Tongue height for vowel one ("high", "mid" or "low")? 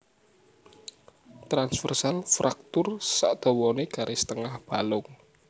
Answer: low